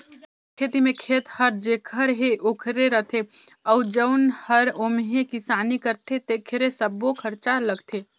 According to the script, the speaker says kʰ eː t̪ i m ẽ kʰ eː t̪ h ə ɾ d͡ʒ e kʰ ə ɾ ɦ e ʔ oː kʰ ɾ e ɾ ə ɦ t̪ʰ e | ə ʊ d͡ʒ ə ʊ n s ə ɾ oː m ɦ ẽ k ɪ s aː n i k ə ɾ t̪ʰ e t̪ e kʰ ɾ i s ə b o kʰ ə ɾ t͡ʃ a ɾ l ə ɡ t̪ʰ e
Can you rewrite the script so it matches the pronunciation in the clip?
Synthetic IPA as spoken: kʰ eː t̪ i m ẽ kʰ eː t̪ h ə ɾ d͡ʒ e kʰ ə ɾ ɦ e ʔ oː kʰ ɾ e ɾ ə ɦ t̪ʰ e | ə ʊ d͡ʒ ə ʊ n h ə ɾ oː m ɦ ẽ k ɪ s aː n i k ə ɾ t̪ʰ e t̪ e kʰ ɾ e s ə b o kʰ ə ɾ t͡ʃ a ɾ l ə ɡ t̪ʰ e